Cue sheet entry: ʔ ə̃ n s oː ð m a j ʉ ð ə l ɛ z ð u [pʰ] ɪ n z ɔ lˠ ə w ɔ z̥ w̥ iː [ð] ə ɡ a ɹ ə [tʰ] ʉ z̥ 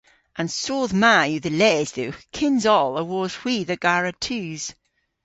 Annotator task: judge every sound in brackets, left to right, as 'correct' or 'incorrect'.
incorrect: kʰ, correct, correct

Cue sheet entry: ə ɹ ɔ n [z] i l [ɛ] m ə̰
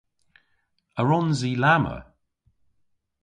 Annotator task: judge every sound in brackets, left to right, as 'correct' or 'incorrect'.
correct, incorrect: a

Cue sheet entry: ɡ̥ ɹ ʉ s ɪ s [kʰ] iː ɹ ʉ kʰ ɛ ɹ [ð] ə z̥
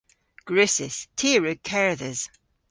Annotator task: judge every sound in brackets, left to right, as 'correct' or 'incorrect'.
incorrect: tʰ, correct

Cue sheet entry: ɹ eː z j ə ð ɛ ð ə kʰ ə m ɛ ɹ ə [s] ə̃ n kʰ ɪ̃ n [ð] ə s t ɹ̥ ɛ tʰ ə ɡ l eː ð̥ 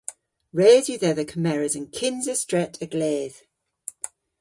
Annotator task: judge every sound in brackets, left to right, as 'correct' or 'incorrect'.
incorrect: z, incorrect: z

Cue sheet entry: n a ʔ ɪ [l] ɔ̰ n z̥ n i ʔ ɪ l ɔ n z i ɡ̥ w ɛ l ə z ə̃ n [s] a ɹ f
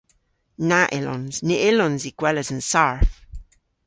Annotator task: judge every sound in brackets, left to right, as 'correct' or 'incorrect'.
correct, correct

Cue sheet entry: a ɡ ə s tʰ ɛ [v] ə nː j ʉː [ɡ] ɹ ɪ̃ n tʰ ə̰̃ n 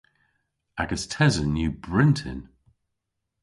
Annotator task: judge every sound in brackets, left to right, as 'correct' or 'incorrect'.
incorrect: z, incorrect: b

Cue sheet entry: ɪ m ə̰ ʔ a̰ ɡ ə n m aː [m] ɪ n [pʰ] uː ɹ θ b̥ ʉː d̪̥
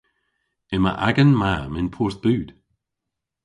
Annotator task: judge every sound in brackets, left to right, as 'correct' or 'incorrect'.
correct, correct

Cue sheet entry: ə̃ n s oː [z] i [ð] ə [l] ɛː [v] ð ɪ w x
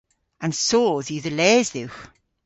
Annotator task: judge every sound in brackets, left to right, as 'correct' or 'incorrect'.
incorrect: ð, correct, correct, incorrect: z

